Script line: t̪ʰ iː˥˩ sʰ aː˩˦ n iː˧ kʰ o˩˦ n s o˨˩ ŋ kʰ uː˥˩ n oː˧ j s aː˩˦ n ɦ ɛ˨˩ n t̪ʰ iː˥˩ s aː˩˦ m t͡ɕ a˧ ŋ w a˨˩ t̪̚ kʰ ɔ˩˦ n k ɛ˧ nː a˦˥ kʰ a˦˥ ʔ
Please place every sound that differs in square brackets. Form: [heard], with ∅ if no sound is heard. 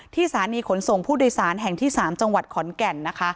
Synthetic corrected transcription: t̪ʰ iː˥˩ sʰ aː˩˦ n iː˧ kʰ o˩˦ n s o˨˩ ŋ [pʰ] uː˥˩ [d] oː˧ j s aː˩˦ n ɦ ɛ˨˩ [ŋ] t̪ʰ iː˥˩ s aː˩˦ m t͡ɕ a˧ ŋ w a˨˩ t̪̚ kʰ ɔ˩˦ n k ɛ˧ nː a˦˥ kʰ a˦˥ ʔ